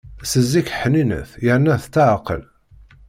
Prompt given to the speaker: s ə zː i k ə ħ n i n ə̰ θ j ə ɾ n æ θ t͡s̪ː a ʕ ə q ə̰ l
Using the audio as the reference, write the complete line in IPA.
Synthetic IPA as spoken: s ə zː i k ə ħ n i n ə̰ θ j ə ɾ n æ θ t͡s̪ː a ʕ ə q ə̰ l